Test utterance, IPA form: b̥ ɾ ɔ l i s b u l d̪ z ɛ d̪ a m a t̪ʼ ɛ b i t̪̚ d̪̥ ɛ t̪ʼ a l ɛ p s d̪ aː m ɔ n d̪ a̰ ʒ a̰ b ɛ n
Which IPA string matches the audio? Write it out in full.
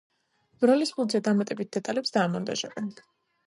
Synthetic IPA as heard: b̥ ɾ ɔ l i s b u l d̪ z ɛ d̪ a m a t̪ʼ ɛ b i t̪̚ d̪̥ ɛ t̪ʼ a l ɛ p s d̪ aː m ɔ n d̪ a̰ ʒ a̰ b ɛ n